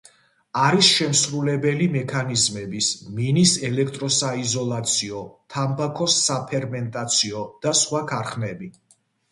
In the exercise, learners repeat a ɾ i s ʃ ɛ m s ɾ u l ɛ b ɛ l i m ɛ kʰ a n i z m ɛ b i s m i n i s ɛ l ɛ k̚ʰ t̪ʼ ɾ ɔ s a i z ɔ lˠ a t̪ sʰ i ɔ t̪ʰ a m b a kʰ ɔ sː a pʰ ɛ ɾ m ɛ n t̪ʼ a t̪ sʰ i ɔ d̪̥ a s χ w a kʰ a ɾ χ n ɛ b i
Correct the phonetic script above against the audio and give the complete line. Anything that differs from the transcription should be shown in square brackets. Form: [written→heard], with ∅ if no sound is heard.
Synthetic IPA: a ɾ i s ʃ ɛ m s ɾ u l ɛ b ɛ l i m ɛ kʰ a n i z m ɛ b i s m i n i s ɛ l ɛ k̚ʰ t̪ʼ ɾ ɔ s a i z ɔ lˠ a t̪ sʰ i ɔ t̪ʰ a m b a kʰ ɔ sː a pʰ ɛ ɾ m ɛ n t̪ʼ a t̪ sʰ i ɔ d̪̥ a s χ w a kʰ a ɾ χ n ɛ b i

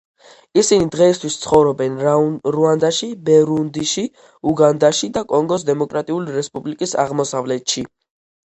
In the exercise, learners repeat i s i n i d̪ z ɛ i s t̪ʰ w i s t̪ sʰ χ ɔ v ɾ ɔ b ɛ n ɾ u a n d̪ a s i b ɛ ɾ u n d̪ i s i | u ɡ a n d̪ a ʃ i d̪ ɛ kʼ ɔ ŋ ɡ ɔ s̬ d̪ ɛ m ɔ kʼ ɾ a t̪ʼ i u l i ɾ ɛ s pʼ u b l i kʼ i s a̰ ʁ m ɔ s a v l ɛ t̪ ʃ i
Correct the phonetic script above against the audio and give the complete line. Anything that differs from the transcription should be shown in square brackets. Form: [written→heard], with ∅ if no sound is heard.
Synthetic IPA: i s i n i d̪ [z→ʁ] ɛ i s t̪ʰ w i s t̪ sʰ χ ɔ v ɾ ɔ b ɛ n ɾ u a n d̪ a [s→ʃ] i b ɛ ɾ u n d̪ i [s→ʃ] i | u ɡ a n d̪ a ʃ i d̪ [ɛ→a] kʼ ɔ ŋ ɡ ɔ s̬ d̪ ɛ m ɔ kʼ ɾ a t̪ʼ i u l i ɾ ɛ s pʼ u b l i kʼ i s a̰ ʁ m ɔ s a v l ɛ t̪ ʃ i

